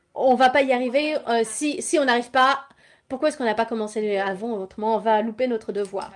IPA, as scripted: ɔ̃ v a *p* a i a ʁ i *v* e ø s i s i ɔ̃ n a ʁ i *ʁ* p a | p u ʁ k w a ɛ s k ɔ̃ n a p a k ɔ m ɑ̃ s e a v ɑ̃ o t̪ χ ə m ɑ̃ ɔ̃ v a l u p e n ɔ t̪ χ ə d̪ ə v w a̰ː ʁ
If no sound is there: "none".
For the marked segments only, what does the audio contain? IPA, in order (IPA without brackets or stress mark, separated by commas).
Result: p, v, v